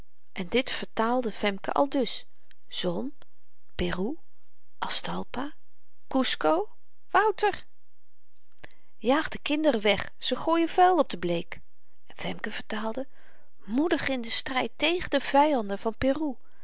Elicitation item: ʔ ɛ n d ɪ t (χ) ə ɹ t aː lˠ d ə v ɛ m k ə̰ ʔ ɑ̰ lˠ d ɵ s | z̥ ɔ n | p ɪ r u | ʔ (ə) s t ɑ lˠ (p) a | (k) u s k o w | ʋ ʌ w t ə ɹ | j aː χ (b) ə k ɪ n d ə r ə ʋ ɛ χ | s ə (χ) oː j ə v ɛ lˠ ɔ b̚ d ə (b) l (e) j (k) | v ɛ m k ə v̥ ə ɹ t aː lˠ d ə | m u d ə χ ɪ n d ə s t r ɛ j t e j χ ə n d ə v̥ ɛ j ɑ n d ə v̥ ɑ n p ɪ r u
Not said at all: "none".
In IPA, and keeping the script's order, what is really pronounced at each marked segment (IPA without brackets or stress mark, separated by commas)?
f, ɑ, p, k, d, χ, b, e, k